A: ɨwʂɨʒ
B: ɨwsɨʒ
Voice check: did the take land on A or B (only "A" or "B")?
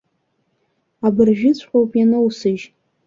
B